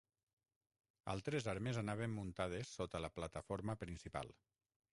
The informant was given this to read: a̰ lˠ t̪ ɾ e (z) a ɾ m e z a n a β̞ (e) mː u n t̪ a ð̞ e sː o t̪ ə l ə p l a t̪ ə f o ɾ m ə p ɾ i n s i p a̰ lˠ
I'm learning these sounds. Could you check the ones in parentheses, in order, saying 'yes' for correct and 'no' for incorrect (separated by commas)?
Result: yes, yes